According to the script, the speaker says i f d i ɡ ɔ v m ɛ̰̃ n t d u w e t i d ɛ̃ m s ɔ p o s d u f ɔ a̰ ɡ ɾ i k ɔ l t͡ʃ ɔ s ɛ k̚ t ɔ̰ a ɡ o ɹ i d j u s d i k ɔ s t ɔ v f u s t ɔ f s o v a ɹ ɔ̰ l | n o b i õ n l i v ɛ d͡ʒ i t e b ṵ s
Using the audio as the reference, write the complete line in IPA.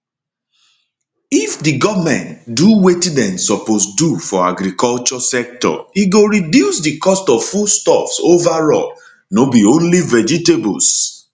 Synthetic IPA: i f d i ɡ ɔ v m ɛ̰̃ n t d u w e t i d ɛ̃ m s ɔ p o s d u f ɔ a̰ ɡ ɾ i k ɔ l t͡ʃ ɔ s ɛ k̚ t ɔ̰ i ɡ o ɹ i d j u s d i k ɔ s t ɔ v f u s t ɔ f s o v a ɹ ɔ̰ l | n o b i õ n l i v ɛ d͡ʒ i t e b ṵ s